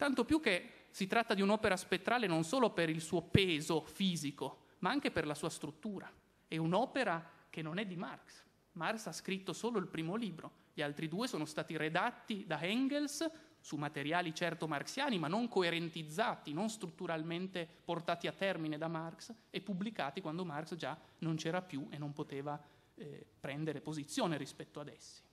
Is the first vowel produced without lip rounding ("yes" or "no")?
yes